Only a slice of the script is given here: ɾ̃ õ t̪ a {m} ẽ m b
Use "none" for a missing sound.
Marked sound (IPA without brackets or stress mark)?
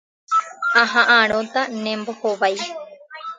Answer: n